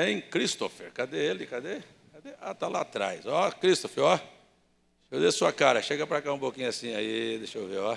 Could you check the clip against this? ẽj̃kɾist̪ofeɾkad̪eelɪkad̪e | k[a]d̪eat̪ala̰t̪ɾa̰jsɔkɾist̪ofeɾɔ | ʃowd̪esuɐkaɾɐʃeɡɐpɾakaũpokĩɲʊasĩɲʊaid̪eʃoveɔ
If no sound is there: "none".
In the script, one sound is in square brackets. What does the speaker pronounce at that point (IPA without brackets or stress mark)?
a